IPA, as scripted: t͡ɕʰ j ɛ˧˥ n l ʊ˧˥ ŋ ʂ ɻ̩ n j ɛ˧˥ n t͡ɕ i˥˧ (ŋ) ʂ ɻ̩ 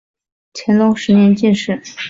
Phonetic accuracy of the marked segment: incorrect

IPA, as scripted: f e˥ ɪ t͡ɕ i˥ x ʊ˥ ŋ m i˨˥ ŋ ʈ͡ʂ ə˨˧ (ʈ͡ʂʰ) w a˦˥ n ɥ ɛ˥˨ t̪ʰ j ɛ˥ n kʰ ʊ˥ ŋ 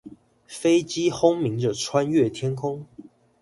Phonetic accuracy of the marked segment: correct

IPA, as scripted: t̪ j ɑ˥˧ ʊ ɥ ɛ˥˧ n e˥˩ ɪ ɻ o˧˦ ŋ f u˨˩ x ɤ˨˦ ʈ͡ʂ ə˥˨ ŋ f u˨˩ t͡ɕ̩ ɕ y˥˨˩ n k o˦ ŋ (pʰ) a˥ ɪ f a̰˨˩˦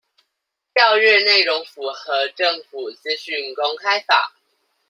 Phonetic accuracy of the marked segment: incorrect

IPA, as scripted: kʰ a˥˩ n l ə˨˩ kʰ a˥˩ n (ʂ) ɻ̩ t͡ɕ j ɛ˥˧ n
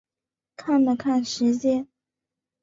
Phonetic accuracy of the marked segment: correct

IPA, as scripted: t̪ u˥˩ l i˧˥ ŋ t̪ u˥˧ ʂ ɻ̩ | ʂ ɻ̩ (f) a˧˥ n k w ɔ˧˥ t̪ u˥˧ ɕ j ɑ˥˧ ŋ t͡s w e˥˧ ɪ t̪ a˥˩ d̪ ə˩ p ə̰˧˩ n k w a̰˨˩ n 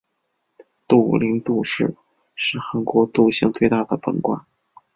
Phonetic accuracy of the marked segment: incorrect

